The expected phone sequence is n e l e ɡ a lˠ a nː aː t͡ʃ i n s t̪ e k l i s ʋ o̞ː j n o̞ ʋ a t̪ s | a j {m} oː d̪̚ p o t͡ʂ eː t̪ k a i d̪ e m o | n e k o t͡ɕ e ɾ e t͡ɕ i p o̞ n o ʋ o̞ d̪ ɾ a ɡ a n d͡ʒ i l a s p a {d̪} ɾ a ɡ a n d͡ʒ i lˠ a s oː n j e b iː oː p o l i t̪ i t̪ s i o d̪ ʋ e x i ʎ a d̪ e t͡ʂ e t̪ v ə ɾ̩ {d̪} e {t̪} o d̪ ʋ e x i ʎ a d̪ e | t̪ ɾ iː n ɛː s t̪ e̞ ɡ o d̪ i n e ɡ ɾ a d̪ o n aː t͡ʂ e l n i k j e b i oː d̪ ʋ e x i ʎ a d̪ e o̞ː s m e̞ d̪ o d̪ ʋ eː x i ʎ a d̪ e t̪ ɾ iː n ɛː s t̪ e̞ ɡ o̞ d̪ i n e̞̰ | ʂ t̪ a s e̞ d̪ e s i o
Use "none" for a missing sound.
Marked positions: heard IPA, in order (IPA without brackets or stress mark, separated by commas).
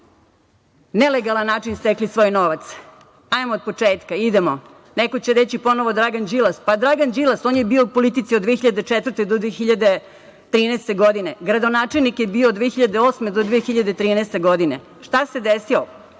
m, d̪, t̪, d̪